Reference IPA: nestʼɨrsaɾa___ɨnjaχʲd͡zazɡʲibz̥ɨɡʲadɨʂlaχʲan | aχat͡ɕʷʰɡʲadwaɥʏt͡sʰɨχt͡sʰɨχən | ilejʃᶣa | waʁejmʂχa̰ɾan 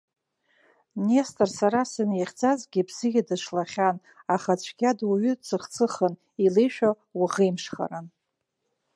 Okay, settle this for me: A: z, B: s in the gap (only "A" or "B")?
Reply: B